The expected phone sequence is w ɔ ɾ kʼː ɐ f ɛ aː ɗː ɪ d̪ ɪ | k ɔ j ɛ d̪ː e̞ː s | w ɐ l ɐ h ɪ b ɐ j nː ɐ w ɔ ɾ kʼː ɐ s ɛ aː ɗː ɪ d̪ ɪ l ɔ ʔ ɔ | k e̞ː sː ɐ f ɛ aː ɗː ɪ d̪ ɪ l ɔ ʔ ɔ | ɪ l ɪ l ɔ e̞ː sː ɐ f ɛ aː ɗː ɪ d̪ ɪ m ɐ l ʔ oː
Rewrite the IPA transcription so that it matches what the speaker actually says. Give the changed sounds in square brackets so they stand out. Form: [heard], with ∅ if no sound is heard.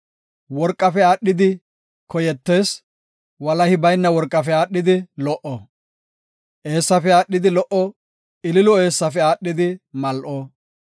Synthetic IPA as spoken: w ɔ ɾ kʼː ɐ f ɛ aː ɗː ɪ d̪ ɪ | k ɔ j ɛ [t̪ː] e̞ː s | w ɐ l ɐ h ɪ b ɐ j nː ɐ w ɔ ɾ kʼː ɐ [f] ɛ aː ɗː ɪ d̪ ɪ l ɔ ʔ ɔ | [ʔ] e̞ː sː ɐ f ɛ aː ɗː ɪ d̪ ɪ l ɔ ʔ ɔ | ɪ l ɪ l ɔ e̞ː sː ɐ f ɛ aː ɗː ɪ d̪ ɪ m ɐ l ʔ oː